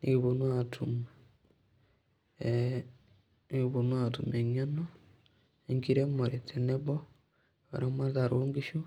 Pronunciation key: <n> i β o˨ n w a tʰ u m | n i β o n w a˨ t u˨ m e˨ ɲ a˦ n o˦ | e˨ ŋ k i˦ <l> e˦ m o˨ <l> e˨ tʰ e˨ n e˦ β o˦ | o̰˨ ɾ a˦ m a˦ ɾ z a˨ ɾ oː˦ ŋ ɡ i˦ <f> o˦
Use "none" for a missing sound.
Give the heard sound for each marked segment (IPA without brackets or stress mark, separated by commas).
n, ɾ, ɾ, ʃ